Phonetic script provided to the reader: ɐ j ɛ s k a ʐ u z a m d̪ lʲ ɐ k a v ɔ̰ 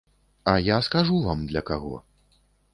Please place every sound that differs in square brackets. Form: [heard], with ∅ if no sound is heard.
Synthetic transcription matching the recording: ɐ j [a] s k a ʐ u [v] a m d̪ lʲ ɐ k a [ɣ] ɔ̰